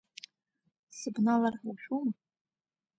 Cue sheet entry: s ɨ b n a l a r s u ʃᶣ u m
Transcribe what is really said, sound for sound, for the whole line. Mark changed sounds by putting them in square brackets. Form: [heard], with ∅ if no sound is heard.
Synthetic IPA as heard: s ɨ b n a l a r [ħ] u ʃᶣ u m

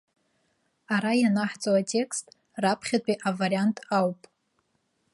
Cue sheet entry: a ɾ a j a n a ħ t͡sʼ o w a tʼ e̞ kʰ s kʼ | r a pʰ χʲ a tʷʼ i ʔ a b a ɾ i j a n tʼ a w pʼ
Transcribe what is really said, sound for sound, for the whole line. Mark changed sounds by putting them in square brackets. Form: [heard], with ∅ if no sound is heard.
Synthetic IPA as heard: a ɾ a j a n a ħ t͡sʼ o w a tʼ e̞ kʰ s [tʼ] | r a pʰ χʲ a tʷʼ i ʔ a [v] a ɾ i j a n tʼ a w pʼ

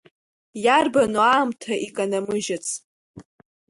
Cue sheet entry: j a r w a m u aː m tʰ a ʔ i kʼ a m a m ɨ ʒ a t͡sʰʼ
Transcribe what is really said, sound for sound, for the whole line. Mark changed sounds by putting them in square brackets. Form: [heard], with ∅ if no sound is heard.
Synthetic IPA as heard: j a r [b] a [n] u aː m tʰ a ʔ i kʼ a [n] a m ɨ ʒ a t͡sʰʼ

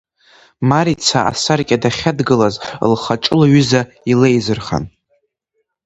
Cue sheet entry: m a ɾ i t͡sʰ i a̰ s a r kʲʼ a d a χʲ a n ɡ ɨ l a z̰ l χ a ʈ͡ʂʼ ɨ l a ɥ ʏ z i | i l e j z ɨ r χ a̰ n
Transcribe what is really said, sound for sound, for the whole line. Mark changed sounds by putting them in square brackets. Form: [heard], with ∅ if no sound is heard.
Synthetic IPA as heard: m a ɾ i t͡sʰ [a] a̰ s a r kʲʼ a d a χʲ a [d] ɡ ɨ l a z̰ l χ a ʈ͡ʂʼ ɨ l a ɥ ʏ z [a] | i l e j z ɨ r χ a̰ n

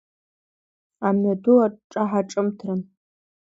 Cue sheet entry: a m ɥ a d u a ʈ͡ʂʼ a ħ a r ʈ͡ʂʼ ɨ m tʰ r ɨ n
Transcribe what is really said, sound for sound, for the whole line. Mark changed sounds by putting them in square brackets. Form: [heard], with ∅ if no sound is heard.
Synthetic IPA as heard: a m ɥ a d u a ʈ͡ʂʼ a ħ a [∅] ʈ͡ʂʼ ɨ m tʰ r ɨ n

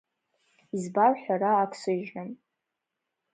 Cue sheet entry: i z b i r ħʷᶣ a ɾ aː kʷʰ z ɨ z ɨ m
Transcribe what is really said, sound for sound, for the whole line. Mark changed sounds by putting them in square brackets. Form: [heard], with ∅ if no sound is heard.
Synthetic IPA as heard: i z b [a] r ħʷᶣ a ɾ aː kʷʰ [s] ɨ [ʒ] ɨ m

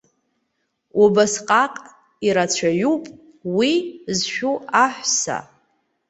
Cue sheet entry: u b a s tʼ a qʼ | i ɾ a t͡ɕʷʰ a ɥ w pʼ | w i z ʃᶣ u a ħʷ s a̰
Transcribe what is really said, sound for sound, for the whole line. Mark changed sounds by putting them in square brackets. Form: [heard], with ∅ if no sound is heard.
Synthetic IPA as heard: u b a s [qʼ] a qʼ | i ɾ a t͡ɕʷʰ a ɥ [u] pʼ | w i z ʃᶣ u a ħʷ s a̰

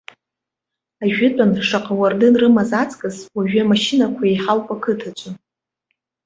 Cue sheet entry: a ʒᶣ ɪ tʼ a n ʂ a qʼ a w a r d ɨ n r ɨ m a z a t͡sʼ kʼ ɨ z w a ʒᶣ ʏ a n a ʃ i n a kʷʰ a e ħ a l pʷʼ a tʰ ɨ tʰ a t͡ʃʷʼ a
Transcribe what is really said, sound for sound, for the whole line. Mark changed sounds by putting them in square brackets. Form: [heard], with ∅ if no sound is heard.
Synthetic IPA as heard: a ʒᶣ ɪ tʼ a n ʂ a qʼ a w a r d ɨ n r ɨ m a z a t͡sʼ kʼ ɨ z w a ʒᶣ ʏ a [m] a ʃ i n a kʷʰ a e ħ a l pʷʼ a [kʰ] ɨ tʰ a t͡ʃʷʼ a

